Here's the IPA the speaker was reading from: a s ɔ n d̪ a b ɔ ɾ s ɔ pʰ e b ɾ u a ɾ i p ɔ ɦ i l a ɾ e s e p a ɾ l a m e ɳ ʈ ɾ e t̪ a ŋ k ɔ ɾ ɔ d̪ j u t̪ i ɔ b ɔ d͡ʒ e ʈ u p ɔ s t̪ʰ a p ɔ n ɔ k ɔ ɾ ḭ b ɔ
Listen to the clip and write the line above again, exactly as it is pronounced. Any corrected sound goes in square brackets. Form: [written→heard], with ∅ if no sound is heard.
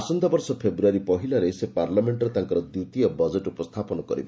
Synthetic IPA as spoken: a s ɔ n d̪ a b ɔ ɾ s ɔ pʰ e b ɾ u a ɾ i p ɔ ɦ i l a ɾ e s e p a ɾ l a m e ɳ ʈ ɾ e t̪ a ŋ k ɔ ɾ ɔ d̪ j u t̪ i ɔ b ɔ d͡ʒ e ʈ u p ɔ s t̪ʰ a p ɔ n ɔ k ɔ ɾ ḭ b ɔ